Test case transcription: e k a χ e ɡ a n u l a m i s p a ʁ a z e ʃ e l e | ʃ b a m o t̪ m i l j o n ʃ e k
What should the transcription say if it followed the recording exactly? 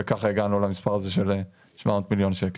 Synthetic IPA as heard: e k a χ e ɡ a n u l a m i s p a ʁ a z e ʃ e l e | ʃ v a m o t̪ m i l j o n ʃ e k